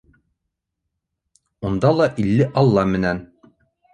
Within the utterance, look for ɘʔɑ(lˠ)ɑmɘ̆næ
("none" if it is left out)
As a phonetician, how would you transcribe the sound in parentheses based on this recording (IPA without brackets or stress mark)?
lˠː